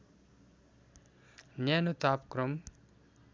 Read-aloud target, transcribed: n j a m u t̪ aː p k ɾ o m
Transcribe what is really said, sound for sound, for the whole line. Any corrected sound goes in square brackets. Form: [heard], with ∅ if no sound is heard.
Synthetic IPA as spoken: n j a [n] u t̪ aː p k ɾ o m